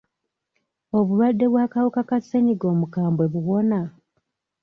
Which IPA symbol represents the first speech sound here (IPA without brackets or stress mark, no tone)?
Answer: o̞